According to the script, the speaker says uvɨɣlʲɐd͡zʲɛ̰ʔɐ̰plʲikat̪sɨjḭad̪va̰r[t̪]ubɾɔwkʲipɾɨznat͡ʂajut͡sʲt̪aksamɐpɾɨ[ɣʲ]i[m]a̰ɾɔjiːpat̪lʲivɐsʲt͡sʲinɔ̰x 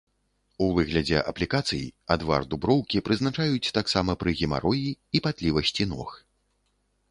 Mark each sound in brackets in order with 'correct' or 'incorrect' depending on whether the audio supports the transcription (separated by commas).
incorrect, correct, correct